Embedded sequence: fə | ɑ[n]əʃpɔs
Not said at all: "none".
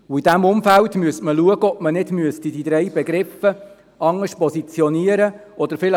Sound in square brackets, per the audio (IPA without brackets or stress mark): ŋ